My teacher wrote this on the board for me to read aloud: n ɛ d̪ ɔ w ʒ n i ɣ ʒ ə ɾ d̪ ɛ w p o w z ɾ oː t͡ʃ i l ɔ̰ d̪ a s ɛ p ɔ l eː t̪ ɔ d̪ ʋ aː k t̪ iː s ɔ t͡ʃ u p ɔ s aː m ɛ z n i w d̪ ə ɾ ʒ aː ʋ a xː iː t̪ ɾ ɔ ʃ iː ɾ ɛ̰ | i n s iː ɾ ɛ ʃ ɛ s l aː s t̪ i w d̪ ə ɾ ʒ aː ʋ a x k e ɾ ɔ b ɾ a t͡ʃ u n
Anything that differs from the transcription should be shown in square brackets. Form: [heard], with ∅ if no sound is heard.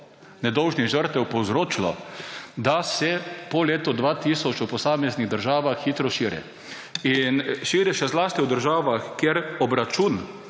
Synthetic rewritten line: n ɛ d̪ ɔ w ʒ n i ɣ ʒ ə ɾ [t̪] ɛ w p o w z ɾ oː t͡ʃ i l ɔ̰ d̪ a s ɛ p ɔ l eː t̪ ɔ d̪ ʋ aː [∅] t̪ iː s ɔ t͡ʃ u p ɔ s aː m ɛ z n i [ɣ] d̪ ə ɾ ʒ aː ʋ a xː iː t̪ ɾ ɔ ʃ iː ɾ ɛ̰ | i n [ʃ] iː ɾ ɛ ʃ ɛ [z] l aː s t̪ i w d̪ ə ɾ ʒ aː ʋ a x k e ɾ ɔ b ɾ a t͡ʃ u n

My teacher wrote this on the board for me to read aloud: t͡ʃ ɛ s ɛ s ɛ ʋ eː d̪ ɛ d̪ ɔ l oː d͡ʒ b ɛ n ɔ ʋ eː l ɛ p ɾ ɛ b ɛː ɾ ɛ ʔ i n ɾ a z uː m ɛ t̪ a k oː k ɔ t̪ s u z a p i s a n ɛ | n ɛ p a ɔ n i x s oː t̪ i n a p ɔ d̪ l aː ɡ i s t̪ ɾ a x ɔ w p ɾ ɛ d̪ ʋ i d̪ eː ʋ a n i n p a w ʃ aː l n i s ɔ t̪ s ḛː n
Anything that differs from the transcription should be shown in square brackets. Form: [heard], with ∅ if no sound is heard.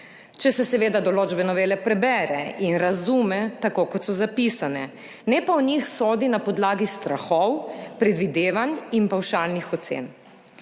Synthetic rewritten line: t͡ʃ ɛ s ɛ s ɛ ʋ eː d̪ [a] d̪ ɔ l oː d͡ʒ b ɛ n ɔ ʋ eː l ɛ p ɾ ɛ b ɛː ɾ ɛ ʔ i n ɾ a z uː m ɛ t̪ a k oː k ɔ t̪ s [ɔ] z a p i s a n ɛ | n ɛ p a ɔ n i x s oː [d̪] i n a p ɔ d̪ l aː ɡ i s t̪ ɾ a x ɔ w p ɾ ɛ d̪ ʋ i d̪ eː ʋ a n i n p a w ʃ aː l n i [x] ɔ t̪ s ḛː n

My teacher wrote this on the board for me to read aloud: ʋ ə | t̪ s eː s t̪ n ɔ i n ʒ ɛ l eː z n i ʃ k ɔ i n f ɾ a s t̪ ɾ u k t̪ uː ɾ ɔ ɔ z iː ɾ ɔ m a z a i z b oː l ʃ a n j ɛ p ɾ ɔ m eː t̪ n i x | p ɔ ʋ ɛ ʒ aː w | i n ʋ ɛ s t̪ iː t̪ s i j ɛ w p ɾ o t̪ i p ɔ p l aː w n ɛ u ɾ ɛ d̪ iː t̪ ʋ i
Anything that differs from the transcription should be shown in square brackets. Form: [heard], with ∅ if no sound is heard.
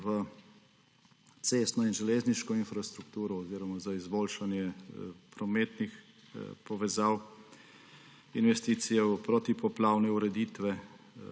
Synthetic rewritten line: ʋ ə | t̪ s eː s t̪ n ɔ i n ʒ ɛ l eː z n i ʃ k ɔ i n f ɾ a s t̪ ɾ u k t̪ uː ɾ ɔ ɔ z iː ɾ ɔ m a z a i z b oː l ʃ a n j ɛ p ɾ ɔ m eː t̪ n i x | p ɔ ʋ ɛ [z] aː w | i n ʋ ɛ s t̪ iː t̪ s i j ɛ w p ɾ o t̪ i p ɔ p l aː w n ɛ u ɾ ɛ d̪ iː t̪ ʋ [ɛ]

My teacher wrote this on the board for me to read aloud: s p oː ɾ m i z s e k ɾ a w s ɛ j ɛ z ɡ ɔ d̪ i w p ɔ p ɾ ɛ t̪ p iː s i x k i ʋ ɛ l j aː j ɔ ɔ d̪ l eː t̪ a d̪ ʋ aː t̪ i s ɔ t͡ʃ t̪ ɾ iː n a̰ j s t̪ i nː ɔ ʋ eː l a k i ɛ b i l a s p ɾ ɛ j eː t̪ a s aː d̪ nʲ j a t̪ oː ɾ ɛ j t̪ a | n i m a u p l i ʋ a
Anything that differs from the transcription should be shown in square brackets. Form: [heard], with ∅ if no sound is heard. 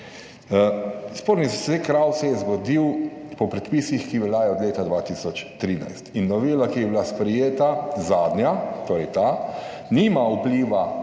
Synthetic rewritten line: s p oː ɾ [n] i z s e k ɾ a w s ɛ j ɛ z ɡ ɔ d̪ i w p ɔ p ɾ ɛ t̪ p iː s i x k i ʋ ɛ l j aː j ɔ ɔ d̪ l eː t̪ a d̪ ʋ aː t̪ i s ɔ t͡ʃ t̪ ɾ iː n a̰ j s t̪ i nː ɔ ʋ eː l a k i ɛ b i l a s p ɾ ɛ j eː t̪ a [z] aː d̪ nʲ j a t̪ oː ɾ ɛ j t̪ a | n i m a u p l i ʋ a

